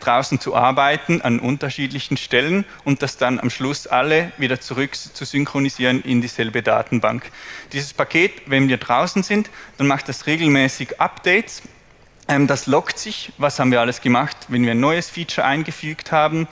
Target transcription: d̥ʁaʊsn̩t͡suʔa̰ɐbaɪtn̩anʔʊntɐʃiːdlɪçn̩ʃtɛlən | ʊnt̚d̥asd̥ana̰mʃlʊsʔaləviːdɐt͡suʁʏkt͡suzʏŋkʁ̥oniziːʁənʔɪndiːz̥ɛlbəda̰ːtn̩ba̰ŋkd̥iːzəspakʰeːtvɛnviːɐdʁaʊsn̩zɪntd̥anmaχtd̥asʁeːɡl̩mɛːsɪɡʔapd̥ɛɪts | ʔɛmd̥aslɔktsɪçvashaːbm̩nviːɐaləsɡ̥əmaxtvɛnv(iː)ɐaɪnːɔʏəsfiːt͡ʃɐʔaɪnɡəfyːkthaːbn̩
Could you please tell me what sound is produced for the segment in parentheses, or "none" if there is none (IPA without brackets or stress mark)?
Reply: iː